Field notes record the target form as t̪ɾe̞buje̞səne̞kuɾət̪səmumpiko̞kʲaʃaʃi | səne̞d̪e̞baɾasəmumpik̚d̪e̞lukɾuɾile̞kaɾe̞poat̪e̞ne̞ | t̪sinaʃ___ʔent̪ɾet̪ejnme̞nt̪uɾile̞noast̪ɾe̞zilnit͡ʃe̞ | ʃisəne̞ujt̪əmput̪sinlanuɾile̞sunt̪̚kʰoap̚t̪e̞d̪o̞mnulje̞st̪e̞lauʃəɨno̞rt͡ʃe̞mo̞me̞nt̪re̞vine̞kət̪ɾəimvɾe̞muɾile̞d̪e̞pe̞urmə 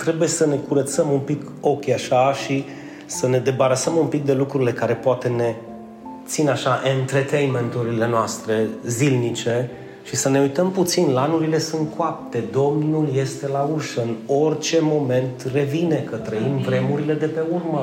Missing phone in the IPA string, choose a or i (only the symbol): a